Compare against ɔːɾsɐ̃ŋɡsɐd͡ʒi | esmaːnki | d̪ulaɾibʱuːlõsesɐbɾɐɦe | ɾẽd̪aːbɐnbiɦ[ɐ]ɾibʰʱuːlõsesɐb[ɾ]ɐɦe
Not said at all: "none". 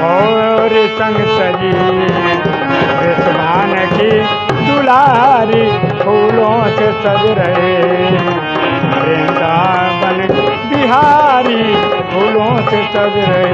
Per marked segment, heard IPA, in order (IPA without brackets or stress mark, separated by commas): a, ɾ